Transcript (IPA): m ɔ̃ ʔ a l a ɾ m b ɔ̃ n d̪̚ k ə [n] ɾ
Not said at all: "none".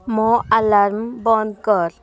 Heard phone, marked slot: none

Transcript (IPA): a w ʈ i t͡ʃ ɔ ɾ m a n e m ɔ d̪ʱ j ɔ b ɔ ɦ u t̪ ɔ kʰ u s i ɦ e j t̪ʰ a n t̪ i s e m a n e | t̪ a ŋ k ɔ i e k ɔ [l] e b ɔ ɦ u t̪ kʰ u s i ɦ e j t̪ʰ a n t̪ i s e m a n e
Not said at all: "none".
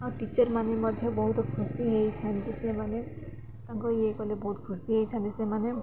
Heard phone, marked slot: l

